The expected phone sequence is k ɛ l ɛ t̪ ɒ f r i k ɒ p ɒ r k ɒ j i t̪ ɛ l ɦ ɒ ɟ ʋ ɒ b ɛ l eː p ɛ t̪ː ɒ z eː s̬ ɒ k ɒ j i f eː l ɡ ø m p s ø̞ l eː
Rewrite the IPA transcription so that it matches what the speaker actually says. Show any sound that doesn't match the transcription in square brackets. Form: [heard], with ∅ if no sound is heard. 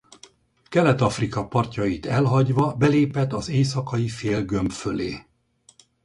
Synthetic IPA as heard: k ɛ l ɛ t̪ ɒ f r i k ɒ p ɒ r [c] ɒ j i t̪ ɛ l ɦ ɒ ɟ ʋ ɒ b ɛ l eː p ɛ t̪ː ɒ z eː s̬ ɒ k ɒ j i f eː l ɡ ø m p [f] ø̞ l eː